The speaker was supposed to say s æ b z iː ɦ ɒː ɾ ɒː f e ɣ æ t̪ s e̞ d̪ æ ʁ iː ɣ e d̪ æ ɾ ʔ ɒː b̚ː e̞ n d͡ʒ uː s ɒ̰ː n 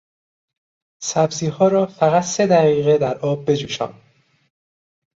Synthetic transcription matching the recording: s æ b z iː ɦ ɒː ɾ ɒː f æ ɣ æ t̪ s e̞ d̪ æ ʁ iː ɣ e d̪ æ ɾ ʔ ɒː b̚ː e̞ d͡ʒ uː ʃ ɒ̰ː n

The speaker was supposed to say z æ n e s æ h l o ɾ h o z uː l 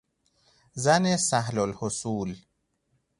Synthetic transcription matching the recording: z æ n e s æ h l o l h o s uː l

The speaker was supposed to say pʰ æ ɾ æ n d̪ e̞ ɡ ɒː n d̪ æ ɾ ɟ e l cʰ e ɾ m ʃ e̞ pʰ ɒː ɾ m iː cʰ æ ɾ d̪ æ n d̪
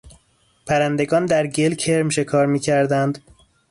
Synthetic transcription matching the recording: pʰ æ ɾ æ n d̪ e̞ ɡ ɒː n d̪ æ ɾ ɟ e l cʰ e ɾ m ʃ e̞ kʰ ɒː ɾ m iː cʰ æ ɾ d̪ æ n d̪

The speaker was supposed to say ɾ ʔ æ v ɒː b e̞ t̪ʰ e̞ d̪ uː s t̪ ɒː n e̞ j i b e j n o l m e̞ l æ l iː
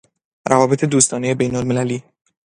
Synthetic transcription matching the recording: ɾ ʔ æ v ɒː b e̞ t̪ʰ e̞ d̪ uː s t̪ ɒː n e̞ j e b e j n o l m e̞ l æ l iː

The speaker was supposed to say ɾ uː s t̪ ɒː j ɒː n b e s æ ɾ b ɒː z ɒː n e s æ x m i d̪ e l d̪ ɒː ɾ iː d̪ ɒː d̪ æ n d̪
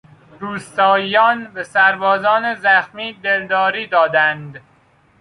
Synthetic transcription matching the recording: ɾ uː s t̪ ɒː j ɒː n b e s æ ɾ b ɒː z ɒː n e z æ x m iː d̪ e l d̪ ɒː ɾ iː d̪ ɒː d̪ æ n d̪

